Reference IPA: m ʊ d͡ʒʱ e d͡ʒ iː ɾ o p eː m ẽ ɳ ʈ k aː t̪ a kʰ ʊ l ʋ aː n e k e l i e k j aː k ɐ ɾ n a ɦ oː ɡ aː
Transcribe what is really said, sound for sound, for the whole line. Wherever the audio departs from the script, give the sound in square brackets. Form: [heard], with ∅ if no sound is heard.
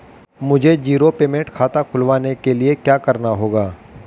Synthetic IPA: m ʊ d͡ʒʱ e d͡ʒ iː ɾ o p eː m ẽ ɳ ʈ [kʰ] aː t̪ a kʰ ʊ l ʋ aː n e k e l i e k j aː k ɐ ɾ n a ɦ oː ɡ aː